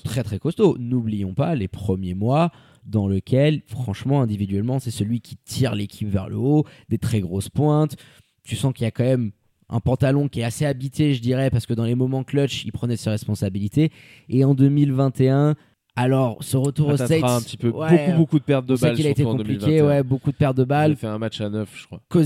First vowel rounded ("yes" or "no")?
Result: no